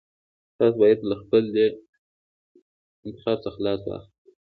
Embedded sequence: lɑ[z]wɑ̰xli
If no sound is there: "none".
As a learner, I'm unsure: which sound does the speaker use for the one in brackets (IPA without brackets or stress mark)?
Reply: s